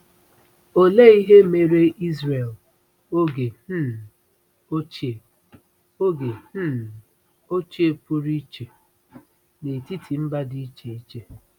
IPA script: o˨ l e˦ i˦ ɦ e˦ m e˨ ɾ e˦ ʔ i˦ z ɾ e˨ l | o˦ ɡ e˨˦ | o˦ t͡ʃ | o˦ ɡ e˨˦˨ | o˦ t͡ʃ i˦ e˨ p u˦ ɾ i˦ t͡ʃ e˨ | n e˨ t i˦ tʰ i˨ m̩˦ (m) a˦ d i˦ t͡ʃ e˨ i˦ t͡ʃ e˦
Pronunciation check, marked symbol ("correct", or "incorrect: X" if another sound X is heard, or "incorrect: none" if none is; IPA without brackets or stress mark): incorrect: b